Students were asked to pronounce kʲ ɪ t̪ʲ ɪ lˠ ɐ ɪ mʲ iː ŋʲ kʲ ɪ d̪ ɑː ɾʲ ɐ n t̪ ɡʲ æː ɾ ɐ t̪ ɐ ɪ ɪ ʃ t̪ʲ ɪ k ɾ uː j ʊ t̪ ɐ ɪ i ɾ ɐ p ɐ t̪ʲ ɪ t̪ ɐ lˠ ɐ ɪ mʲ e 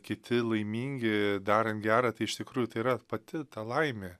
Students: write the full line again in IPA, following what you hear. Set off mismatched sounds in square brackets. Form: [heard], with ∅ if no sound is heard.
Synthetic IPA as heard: kʲ ɪ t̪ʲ ɪ lˠ ɐ ɪ mʲ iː ŋʲ [ɡʲ] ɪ d̪ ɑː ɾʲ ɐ n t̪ ɡʲ æː ɾ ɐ t̪ ɐ ɪ ɪ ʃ t̪ʲ ɪ k ɾ uː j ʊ t̪ ɐ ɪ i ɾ ɐ p ɐ t̪ʲ ɪ t̪ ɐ lˠ ɐ ɪ mʲ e